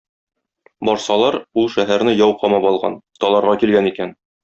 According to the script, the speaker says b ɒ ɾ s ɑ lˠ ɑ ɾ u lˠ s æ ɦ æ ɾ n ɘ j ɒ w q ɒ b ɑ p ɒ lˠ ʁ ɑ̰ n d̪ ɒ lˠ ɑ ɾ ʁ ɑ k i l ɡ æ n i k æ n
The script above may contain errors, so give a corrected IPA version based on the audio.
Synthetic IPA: b ɒ ɾ s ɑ lˠ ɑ ɾ u lˠ ʃ æ ɦ æ ɾ n ɘ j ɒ w q ɒ m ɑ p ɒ lˠ ʁ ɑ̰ n t̪ ɒ lˠ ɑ ɾ ʁ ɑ k i l ɡ æ n i k æ n